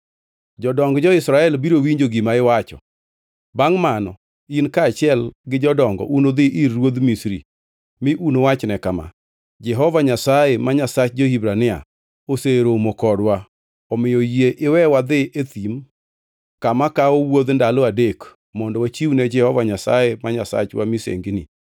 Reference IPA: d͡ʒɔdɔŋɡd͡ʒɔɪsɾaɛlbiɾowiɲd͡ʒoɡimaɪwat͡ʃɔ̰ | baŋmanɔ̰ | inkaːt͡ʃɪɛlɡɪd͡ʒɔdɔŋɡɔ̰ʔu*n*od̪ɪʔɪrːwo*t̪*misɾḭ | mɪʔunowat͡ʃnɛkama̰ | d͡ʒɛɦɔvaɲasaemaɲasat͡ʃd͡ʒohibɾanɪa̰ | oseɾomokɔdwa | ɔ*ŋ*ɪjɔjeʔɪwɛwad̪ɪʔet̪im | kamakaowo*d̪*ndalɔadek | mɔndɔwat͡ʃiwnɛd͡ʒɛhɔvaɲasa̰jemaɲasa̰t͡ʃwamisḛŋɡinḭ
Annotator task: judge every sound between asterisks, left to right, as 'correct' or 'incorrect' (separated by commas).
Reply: correct, incorrect, incorrect, correct